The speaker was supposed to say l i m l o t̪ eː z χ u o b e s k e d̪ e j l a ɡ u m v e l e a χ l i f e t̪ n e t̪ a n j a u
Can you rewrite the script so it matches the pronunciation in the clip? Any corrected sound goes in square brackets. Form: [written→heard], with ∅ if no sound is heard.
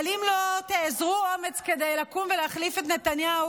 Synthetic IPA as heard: l i m l o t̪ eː z [χ→ʁ] u o [b→m] e [s→t͡s] k e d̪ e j l a [ɡ→k] u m v e l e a χ l i f e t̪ n e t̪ a n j a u

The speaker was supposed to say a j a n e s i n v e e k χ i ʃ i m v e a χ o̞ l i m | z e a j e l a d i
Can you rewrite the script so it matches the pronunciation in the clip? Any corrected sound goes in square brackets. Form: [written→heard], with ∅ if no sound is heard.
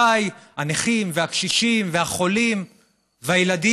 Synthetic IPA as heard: a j a n e [s→χ] i [n→m] v e [e→a] k [χ→ʃ] i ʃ i m v e a χ o̞ l i m | [z→v] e a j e l a d i

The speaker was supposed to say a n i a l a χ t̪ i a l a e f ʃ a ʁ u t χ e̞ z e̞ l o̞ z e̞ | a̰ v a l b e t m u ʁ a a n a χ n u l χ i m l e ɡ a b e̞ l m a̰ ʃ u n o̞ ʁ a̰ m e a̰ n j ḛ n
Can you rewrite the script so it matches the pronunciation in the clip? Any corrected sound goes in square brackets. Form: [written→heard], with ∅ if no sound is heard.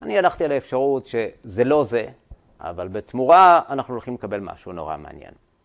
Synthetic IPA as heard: a n i a l a χ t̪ i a l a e f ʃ a ʁ u t [χ→ʃ] e̞ z e̞ l o̞ z e̞ | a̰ v a l b e t m u ʁ a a n a χ n u l χ i m l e [ɡ→k] a b e̞ l m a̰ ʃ u n o̞ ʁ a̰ m e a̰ n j ḛ n

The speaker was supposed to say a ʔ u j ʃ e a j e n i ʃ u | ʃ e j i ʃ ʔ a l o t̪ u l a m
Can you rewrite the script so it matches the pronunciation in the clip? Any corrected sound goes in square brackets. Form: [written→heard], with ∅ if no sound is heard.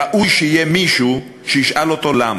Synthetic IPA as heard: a ʔ u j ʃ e [a→i] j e [n→m] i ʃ u | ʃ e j i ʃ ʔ a l o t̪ [u→o] l a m

